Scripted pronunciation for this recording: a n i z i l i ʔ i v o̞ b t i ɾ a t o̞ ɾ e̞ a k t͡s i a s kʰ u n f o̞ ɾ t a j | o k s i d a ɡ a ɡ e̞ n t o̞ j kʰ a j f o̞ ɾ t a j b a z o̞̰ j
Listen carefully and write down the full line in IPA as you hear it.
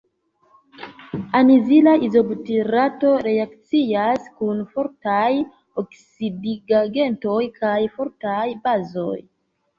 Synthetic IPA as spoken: a n i z i l a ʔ i z o̞ b t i ɾ a t o̞ ɾ e̞ a k t͡s i a s k u n f o̞ ɾ t a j | o k s i d i ɡ a ɡ e̞ n t o̞ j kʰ a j f o̞ ɾ t a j b a z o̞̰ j

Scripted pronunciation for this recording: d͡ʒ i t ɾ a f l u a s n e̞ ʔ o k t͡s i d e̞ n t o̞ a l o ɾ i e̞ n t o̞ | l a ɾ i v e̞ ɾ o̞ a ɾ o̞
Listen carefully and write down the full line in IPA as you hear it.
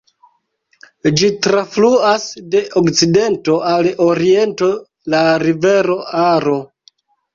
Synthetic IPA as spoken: d͡ʒ i t ɾ a f l u a s d e̞ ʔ o k t͡s i d e̞ n t o̞ a l o ɾ i e̞ n t o̞ | l a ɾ i v e̞ ɾ o̞ a ɾ o̞

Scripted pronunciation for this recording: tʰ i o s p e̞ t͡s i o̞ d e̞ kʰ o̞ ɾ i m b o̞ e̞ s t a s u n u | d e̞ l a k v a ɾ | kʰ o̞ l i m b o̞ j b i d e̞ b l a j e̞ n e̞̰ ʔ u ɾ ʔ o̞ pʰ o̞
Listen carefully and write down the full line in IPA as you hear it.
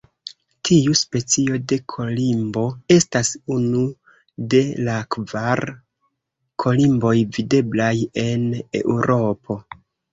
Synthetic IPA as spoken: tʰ i u s p e̞ t͡s i o̞ d e̞ kʰ o̞ l i m b o̞ e̞ s t a s u n u | d e̞ l a k v a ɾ | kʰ o̞ l i m b o̞ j v i d e̞ b l a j e̞ n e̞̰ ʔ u ɾ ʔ o̞ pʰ o̞

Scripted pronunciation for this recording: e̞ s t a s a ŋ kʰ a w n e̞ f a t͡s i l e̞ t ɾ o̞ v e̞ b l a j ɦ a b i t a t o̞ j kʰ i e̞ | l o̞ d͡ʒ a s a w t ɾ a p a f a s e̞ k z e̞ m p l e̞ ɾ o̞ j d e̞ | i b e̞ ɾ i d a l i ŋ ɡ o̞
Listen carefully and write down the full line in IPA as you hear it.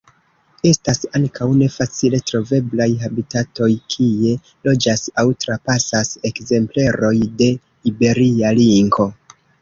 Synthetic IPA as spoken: e̞ s t a s a ŋ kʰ a w n e̞ f a t͡s i l e̞ t ɾ o̞ v e̞ b l a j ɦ a b i t a t o̞ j kʰ i e̞ | l o̞ d͡ʒ a s a w t ɾ a p a s a s e̞ k z e̞ m p l e̞ ɾ o̞ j d e̞ | i b e̞ ɾ i a l i ŋ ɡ o̞

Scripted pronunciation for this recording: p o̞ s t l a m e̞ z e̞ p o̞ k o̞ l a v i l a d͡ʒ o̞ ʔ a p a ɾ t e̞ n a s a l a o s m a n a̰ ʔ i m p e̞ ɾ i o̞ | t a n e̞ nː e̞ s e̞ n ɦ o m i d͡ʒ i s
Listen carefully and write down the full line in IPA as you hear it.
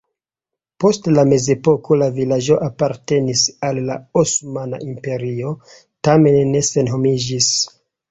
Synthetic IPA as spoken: p o̞ s t l a m e̞ z e̞ p o̞ k o̞ l a v i l a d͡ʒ o̞ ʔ a p a ɾ t e̞ n i s a lː a o s m a n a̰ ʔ i m p e̞ ɾ i o̞ | t a m e̞ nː e̞ s e̞ n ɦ o m i d͡ʒ i s

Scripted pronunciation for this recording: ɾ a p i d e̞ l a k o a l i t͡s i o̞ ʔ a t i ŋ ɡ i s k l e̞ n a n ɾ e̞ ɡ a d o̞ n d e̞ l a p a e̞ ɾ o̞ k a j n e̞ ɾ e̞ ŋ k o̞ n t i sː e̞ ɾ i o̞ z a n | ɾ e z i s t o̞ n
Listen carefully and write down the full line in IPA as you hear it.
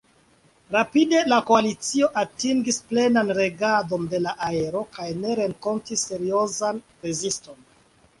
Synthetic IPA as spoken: ɾ a p i d e̞ l a k o a l i t͡s i o̞ ʔ a t i ŋ ɡ i s p l e̞ n a n ɾ e̞ ɡ a d o̞ n d e̞ l a ʔ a e̞ ɾ o̞ k a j n e̞ ɾ e̞ ŋ k o̞ n t i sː e̞ ɾ i o̞ z a n | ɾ e z i s t o̞ n

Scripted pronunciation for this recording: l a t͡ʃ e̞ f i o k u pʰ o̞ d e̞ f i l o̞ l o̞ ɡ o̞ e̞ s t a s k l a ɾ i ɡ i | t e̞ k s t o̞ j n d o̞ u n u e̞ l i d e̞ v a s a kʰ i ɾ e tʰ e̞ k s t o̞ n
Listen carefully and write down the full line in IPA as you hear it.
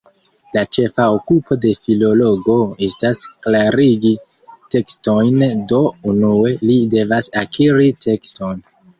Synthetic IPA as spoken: l a t͡ʃ e̞ f a o k u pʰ o̞ d e̞ f i l o̞ l o̞ ɡ o̞ e̞ s t a s k l a ɾ i ɡ i | t e̞ k s t o̞ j n d o̞ u n u e̞ l i d e̞ v a s a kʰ i ɾ i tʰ e̞ k s t o̞ n

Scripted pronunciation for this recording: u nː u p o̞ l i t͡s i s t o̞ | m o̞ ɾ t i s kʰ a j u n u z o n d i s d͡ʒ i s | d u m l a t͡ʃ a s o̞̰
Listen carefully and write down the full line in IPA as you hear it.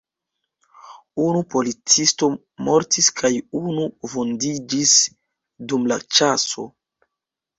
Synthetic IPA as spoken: u n u p o̞ l i t͡s i s t o̞ | m o̞ ɾ t i s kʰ a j u n u v o n d i d͡ʒ i s | d u m l a t͡ʃ a s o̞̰

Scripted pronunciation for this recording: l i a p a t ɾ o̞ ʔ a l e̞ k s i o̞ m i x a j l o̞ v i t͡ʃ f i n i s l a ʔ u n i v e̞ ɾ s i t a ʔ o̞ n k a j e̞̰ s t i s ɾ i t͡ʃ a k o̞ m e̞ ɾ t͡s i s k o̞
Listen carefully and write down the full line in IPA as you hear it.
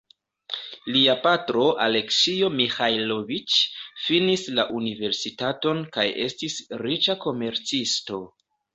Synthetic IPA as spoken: l i a p a t ɾ o̞ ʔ a l e̞ k s i o̞ m i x a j l o̞ v i t͡ʃ f i n i s l a ʔ u n i v e̞ ɾ s i t a t o̞ n k a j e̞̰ s t i s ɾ i t͡ʃ a k o̞ m e̞ ɾ t͡s i s t o̞

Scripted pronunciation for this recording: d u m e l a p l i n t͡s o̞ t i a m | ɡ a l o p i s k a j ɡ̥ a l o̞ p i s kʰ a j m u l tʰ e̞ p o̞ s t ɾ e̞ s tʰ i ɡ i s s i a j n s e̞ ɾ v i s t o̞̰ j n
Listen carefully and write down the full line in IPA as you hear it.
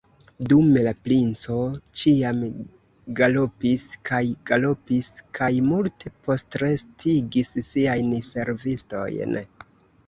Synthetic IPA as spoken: d u m e l a p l i n t͡s o̞ t͡ʃ i a m | ɡ a l o p i s k a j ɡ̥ a l o̞ p i s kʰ a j m u l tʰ e̞ p o̞ s t ɾ e̞ s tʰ i ɡ i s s i a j n s e̞ ɾ v i s t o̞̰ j n

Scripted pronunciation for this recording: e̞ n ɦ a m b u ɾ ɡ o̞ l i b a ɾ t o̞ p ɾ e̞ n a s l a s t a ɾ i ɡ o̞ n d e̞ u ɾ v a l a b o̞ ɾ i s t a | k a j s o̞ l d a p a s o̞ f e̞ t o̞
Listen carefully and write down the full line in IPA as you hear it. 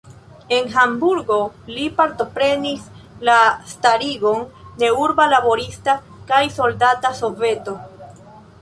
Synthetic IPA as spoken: e̞ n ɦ a m b u ɾ ɡ o̞ l i p a ɾ t o̞ p ɾ e̞ n i s l a s t a ɾ i ɡ o̞ n d e̞ u ɾ b a l a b o̞ ɾ i s t a | k a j s o̞ l d a t a s o̞ v e̞ t o̞

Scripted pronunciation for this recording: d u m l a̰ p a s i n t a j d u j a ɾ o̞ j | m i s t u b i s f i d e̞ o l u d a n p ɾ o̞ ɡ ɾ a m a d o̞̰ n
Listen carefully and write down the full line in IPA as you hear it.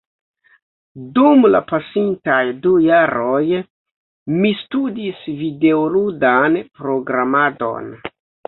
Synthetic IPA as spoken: d u m l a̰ p a s i n t a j d u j a ɾ o̞ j | m i s t u d i s v i d e̞ o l u d a n p ɾ o̞ ɡ ɾ a m a d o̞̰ n

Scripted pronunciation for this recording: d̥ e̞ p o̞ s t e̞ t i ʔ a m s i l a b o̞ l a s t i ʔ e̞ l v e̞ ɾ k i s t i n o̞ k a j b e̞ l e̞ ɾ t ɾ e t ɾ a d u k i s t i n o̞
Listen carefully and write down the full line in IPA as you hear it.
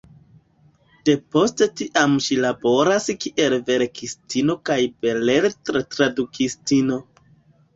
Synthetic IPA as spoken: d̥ e̞ p o̞ s t e̞ t i ʔ a m ʃ i l a b o̞ ɾ a s k i ʔ e̞ l v e̞ ɾ k i s t i n o̞ k a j b e̞ l e̞ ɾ t ɾ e t ɾ a d u k i s t i n o̞

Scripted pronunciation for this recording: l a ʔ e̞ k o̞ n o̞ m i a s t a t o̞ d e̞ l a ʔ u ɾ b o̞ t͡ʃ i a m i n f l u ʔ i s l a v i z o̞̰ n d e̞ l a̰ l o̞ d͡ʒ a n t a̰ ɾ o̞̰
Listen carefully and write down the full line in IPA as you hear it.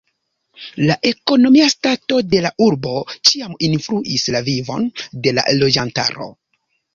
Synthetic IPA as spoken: l a ʔ e̞ k o̞ n o̞ m i a s t a t o̞ d e̞ l a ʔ u ɾ b o̞ t͡ʃ i a m i n f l u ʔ i s l a v i v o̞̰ n d e̞ l a̰ l o̞ d͡ʒ a n t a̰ ɾ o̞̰

